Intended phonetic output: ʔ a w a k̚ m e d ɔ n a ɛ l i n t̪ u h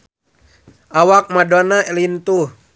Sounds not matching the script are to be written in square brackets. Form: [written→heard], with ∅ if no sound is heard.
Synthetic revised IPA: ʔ a w a k̚ m [e→a] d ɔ n a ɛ l i n t̪ u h